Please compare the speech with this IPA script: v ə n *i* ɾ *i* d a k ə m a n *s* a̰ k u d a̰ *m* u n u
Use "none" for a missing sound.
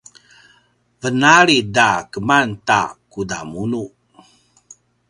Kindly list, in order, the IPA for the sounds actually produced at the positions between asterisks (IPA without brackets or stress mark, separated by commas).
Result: a, i, t, m